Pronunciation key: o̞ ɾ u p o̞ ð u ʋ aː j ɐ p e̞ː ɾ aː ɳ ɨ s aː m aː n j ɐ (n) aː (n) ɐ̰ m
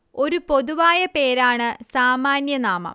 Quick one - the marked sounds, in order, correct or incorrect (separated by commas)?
correct, incorrect